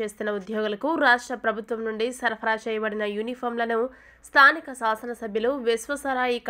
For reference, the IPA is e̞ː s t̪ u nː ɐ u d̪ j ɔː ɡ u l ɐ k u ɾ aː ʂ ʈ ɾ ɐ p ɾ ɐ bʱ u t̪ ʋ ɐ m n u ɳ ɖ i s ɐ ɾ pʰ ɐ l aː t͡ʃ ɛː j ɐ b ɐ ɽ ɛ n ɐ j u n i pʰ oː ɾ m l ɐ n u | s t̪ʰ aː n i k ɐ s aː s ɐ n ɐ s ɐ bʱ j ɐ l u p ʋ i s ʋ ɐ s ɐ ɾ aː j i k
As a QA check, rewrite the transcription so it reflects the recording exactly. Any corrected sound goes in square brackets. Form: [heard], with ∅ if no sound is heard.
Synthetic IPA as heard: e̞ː s t̪ u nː ɐ u d̪ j ɔː ɡ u l ɐ k u ɾ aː ʂ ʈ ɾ ɐ p ɾ ɐ bʱ u t̪ ʋ ɐ m n u ɳ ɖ i s ɐ ɾ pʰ ɐ [ɾ] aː t͡ʃ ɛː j ɐ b ɐ ɽ [i] n ɐ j u n i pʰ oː ɾ m l ɐ n u | s t̪ʰ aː n i k ɐ s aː s ɐ n ɐ s ɐ bʱ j ɐ l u [∅] ʋ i s ʋ ɐ s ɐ ɾ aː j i k